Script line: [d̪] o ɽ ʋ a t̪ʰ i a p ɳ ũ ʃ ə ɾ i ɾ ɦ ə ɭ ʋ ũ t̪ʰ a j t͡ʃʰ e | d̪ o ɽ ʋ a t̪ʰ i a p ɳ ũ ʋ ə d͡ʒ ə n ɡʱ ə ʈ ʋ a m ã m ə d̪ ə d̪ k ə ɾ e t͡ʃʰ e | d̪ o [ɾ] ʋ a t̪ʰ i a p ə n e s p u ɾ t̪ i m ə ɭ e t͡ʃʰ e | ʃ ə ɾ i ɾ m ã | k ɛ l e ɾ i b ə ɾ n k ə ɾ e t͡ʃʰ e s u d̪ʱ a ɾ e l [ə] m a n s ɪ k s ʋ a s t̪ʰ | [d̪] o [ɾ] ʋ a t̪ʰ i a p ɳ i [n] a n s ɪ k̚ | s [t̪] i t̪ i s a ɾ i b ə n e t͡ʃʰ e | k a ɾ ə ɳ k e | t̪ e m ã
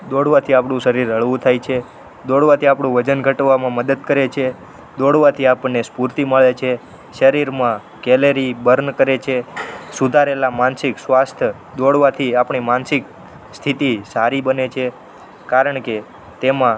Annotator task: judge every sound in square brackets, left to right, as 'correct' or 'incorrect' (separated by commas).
correct, incorrect, incorrect, correct, incorrect, incorrect, incorrect